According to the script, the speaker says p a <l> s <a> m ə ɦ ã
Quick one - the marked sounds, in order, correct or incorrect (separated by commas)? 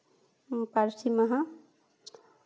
incorrect, incorrect